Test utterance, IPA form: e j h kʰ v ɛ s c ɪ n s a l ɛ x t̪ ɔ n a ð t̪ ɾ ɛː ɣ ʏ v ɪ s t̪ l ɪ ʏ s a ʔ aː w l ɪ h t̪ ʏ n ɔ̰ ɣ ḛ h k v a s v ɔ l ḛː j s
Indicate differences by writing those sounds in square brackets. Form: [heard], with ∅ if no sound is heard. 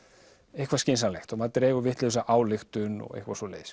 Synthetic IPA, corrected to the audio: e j h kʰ v [a] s c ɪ n s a l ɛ x t̪ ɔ [m] a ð t̪ ɾ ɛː ɣ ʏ v ɪ [h] t̪ l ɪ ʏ s a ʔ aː w l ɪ [x] t̪ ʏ n ɔ̰ ɣ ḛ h k v a s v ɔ l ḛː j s